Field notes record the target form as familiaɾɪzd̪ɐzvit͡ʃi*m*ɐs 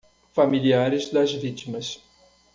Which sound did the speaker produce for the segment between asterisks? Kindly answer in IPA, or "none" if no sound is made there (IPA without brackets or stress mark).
m